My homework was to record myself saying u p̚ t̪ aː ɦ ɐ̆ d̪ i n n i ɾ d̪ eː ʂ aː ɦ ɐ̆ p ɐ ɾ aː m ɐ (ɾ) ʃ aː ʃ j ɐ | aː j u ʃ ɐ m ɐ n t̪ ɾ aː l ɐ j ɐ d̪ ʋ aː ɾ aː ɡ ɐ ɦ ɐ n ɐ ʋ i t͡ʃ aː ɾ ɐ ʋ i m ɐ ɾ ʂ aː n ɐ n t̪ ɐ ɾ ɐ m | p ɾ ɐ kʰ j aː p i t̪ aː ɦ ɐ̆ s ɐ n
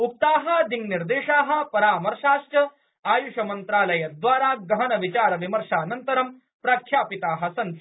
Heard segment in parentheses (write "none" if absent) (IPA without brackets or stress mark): ɾ